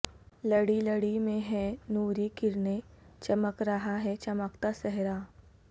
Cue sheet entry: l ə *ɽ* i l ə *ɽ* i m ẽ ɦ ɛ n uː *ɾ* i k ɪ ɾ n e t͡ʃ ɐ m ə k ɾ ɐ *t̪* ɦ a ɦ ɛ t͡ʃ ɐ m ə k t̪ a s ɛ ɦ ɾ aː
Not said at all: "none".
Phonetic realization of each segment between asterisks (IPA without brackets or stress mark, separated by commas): ɽ, ɽ, ɾ, none